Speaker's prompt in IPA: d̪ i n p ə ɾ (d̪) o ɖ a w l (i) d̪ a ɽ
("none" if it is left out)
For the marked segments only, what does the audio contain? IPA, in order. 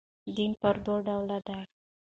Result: d̪, a

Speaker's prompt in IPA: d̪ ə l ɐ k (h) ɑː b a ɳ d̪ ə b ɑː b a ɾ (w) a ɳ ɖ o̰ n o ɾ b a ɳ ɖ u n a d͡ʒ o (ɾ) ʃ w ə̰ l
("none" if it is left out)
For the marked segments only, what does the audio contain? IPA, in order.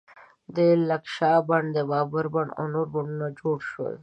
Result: ʃ, b, ɽ

